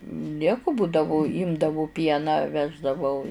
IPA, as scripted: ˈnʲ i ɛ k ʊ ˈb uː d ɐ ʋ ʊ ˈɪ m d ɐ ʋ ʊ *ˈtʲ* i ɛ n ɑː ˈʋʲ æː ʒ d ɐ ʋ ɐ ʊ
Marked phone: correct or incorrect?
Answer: incorrect